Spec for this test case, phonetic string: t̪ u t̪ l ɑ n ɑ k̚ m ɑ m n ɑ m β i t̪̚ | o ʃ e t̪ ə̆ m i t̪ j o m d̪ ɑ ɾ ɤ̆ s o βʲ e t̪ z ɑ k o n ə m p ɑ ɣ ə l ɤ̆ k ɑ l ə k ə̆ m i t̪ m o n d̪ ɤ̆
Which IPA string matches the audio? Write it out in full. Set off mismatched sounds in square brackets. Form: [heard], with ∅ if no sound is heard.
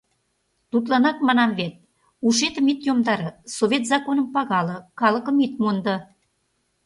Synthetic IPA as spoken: t̪ u t̪ l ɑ n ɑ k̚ m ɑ [∅] n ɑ m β [e] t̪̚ | [u] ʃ e t̪ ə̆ m i t̪ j o m d̪ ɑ ɾ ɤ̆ s o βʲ e t̪ z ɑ k o n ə m p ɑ ɣ [ɑ] l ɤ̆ k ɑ l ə k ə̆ m i t̪ m o n d̪ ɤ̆